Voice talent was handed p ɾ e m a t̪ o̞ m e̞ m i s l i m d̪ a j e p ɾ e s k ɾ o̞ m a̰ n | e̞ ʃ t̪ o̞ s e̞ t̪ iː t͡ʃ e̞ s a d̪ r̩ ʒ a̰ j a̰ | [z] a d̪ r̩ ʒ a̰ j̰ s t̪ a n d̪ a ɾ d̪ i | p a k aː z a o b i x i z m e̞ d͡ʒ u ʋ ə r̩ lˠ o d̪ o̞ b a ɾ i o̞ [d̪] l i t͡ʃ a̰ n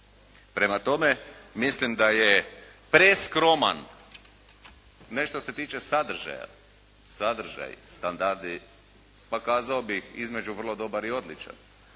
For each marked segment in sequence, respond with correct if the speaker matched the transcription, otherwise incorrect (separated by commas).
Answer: incorrect, correct